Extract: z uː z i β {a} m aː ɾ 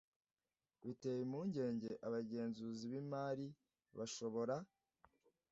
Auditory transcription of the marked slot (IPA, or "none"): i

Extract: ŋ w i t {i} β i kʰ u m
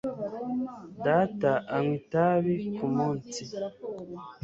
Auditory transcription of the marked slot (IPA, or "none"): a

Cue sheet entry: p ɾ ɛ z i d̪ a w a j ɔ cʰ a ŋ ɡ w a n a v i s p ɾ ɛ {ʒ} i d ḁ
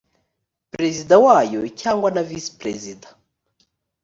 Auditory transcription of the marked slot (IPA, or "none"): z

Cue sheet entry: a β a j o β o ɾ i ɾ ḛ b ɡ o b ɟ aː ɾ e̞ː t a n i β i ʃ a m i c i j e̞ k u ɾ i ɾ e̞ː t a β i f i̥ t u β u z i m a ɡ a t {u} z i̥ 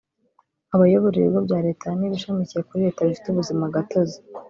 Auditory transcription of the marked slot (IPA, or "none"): o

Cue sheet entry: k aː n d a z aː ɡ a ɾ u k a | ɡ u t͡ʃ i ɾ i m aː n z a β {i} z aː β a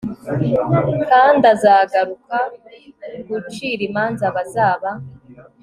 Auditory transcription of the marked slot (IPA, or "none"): a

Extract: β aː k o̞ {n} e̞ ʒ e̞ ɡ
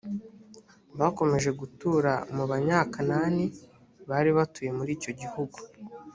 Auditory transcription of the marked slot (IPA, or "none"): m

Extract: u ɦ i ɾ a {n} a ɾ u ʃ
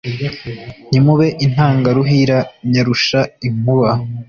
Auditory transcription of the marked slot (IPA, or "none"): ɲ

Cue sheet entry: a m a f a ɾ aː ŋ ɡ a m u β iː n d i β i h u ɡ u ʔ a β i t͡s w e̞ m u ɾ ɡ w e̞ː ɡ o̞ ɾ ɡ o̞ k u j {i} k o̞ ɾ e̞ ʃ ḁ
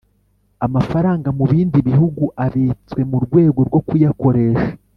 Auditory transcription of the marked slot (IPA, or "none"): a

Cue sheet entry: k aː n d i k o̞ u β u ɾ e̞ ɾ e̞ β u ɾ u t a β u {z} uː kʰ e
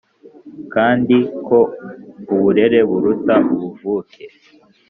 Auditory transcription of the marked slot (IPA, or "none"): v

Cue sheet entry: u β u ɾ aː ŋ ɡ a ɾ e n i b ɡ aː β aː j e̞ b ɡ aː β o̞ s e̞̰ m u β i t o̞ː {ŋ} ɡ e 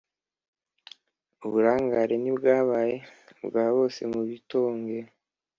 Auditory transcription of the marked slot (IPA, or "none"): ŋ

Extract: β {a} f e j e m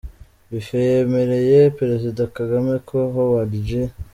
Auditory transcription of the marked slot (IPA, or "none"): i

